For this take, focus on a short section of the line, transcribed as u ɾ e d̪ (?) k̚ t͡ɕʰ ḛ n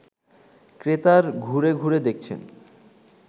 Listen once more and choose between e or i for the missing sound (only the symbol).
e